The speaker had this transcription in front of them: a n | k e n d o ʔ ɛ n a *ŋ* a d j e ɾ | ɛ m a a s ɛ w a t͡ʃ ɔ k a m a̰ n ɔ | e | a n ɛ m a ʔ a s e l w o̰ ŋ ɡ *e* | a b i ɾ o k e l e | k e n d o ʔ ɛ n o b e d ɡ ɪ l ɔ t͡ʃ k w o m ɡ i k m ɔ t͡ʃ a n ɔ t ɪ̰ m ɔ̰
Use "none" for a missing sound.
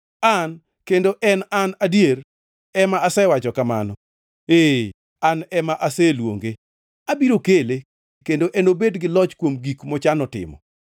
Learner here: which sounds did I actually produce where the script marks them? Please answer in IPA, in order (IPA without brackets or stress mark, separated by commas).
n, e